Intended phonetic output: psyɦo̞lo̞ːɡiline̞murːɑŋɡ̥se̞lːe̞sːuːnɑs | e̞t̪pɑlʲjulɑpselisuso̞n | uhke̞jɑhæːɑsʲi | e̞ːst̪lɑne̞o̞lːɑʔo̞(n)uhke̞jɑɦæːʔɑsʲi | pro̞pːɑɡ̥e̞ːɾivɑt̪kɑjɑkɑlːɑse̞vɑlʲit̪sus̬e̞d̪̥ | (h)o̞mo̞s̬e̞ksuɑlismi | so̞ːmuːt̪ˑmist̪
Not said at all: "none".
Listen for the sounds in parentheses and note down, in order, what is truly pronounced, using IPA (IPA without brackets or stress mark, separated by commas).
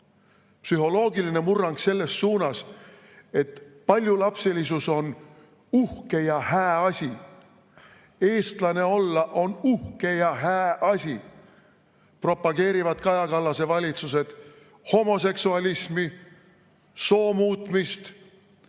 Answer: n, h